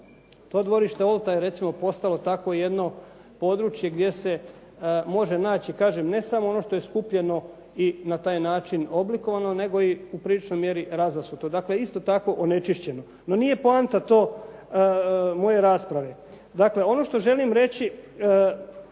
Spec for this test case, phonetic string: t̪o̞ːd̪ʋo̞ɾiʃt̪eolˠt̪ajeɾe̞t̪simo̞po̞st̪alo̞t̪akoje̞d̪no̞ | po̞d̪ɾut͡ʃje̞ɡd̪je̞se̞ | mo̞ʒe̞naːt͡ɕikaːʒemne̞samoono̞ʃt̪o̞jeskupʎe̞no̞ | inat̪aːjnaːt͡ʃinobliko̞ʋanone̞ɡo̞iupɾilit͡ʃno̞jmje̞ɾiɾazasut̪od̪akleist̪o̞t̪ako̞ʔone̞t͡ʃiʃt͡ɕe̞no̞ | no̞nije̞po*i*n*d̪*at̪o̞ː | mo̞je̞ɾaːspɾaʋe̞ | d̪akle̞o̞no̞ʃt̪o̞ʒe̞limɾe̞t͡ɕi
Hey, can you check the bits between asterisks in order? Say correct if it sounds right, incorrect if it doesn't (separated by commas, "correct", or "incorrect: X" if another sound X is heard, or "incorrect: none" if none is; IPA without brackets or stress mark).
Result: incorrect: a, incorrect: t̪